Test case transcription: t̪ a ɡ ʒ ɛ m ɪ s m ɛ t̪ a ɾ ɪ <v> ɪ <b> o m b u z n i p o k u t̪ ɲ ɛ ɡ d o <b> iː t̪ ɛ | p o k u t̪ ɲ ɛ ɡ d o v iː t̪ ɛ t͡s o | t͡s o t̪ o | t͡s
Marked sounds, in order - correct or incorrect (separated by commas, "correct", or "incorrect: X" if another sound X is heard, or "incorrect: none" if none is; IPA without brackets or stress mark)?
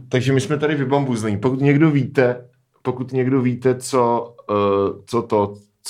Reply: correct, correct, incorrect: v